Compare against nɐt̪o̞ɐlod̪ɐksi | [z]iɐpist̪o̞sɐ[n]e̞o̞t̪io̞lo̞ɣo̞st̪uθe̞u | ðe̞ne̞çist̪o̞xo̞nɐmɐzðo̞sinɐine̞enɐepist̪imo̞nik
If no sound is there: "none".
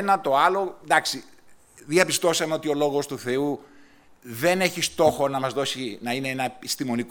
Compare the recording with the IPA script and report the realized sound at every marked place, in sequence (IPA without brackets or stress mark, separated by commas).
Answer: ð, m